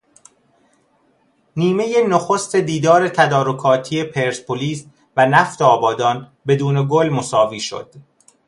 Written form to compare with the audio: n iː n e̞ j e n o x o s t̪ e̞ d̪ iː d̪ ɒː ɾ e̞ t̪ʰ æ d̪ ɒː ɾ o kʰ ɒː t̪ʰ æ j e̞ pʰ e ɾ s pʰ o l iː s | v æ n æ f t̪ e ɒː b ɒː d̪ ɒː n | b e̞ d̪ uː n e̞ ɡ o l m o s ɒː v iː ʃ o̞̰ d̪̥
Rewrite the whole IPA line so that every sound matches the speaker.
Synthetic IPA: n iː m e̞ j e n o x o s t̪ e̞ d̪ iː d̪ ɒː ɾ e̞ t̪ʰ æ d̪ ɒː ɾ o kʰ ɒː t̪ʰ i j e̞ pʰ e ɾ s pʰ o l iː s | v æ n æ f t̪ e ɒː b ɒː d̪ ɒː n | b e̞ d̪ uː n e̞ ɡ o l m o s ɒː v iː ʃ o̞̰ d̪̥